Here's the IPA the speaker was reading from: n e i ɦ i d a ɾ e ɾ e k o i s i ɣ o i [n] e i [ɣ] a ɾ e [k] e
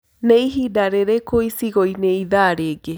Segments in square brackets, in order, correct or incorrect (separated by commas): correct, incorrect, incorrect